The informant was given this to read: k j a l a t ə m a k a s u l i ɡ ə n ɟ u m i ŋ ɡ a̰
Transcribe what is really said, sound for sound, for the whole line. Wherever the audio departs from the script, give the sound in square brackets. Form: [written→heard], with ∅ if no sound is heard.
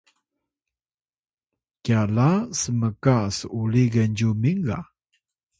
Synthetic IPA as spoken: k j a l a [t→s] ə m [a→ə] k a s u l i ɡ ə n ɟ u m i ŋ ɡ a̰